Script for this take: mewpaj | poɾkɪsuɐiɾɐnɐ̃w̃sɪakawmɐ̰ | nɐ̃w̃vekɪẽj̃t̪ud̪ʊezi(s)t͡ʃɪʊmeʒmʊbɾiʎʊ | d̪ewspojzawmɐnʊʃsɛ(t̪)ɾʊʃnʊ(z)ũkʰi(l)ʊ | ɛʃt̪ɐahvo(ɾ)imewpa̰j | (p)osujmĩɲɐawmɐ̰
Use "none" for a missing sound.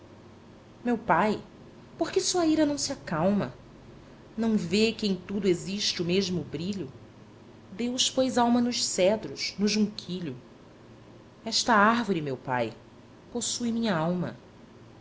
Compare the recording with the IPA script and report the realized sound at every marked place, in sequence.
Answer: ʃ, d̪, ʒ, ʎ, ɾ, p

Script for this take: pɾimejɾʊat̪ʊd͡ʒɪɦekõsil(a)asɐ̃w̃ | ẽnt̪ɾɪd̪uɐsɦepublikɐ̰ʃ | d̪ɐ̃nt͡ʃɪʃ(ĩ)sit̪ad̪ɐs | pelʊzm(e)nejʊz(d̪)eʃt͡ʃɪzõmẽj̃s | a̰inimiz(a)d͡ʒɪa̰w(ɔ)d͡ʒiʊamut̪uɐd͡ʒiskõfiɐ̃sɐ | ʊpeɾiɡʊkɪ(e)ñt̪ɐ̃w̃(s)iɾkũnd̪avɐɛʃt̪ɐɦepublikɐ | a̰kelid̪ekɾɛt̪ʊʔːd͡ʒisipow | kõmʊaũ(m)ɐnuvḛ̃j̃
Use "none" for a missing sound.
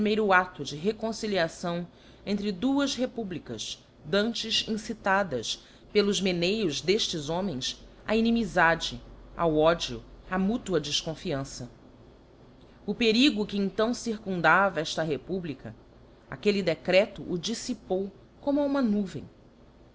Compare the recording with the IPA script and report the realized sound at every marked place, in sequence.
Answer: i, ĩ, e, d̪, a, ɔ, ẽ, s, m

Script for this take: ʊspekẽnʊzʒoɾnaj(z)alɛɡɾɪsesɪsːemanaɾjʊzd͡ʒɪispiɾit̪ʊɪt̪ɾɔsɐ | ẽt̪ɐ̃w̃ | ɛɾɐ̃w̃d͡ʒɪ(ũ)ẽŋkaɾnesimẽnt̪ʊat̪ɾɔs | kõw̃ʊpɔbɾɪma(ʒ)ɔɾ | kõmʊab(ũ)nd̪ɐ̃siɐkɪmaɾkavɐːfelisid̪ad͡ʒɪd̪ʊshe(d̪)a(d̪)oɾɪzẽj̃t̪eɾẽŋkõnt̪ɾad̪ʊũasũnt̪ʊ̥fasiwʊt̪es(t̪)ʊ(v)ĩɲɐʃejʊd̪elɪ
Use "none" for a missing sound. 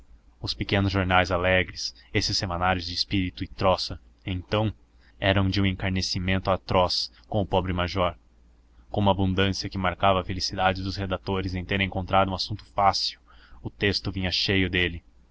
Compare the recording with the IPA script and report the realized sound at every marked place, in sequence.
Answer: z, ũ, ʒ, ũ, d̪, t̪, t̪, v

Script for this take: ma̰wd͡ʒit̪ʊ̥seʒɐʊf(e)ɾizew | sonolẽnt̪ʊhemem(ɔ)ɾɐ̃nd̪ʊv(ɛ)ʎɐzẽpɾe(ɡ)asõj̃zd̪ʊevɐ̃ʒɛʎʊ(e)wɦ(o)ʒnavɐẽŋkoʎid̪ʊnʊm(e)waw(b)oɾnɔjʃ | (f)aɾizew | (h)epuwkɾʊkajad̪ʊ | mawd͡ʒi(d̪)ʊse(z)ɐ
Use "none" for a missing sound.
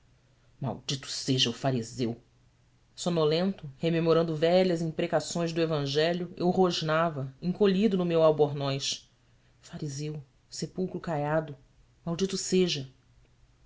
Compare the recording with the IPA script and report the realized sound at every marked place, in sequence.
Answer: a, o, ɛ, k, e, o, e, b, f, s, t̪, ʒ

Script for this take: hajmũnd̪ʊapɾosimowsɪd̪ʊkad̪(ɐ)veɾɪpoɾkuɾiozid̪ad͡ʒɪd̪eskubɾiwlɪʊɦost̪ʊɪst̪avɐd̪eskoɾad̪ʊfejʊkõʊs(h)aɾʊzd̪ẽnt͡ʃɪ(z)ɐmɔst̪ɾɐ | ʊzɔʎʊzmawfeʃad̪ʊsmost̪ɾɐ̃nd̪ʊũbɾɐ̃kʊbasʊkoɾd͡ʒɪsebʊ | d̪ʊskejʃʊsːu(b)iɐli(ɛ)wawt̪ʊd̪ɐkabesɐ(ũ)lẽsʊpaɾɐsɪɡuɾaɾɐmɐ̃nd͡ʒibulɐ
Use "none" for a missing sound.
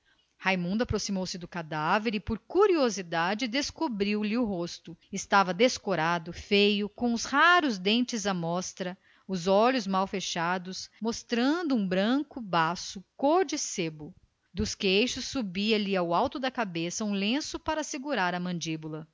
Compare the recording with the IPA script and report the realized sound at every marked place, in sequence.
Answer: a, h, z, b, a, ũ

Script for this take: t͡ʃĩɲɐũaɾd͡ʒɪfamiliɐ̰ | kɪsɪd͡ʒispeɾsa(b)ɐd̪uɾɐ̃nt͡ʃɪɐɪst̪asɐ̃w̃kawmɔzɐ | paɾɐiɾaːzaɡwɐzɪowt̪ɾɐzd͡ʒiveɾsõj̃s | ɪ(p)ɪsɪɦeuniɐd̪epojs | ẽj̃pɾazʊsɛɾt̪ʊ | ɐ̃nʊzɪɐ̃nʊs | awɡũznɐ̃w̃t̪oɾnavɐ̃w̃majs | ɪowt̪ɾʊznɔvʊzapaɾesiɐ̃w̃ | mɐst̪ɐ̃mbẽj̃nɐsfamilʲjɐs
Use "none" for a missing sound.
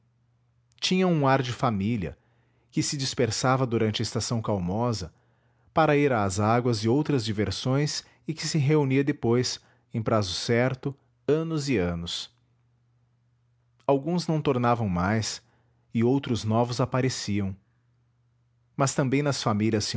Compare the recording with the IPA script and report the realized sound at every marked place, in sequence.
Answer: v, k

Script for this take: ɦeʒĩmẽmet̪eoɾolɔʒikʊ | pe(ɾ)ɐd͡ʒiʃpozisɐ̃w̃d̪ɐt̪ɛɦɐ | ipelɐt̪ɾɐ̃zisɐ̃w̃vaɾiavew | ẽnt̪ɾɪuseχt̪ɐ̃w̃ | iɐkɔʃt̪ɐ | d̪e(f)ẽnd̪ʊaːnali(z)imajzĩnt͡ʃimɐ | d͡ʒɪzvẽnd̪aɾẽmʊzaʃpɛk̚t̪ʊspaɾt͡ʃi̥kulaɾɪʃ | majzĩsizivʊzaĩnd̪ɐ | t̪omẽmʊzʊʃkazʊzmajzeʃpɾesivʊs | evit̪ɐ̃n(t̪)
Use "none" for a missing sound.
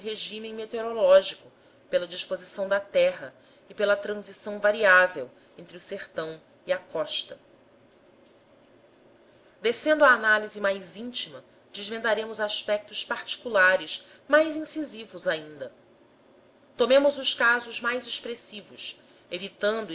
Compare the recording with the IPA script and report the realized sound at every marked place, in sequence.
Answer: l, s, z, d̪

